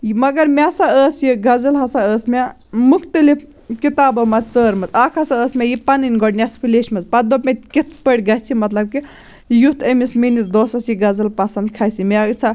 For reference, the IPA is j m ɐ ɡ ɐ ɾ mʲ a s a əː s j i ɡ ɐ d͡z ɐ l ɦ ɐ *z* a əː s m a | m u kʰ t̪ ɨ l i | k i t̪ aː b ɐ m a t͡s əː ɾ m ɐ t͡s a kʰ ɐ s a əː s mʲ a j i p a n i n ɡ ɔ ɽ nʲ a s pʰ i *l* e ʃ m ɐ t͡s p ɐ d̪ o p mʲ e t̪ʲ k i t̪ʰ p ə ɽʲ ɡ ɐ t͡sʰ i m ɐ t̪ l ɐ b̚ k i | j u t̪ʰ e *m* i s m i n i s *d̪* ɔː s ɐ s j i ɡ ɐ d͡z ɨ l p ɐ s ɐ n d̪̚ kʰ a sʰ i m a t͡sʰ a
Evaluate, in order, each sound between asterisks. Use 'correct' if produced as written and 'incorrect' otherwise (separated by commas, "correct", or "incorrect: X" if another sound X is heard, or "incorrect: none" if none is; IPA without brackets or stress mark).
incorrect: s, correct, correct, correct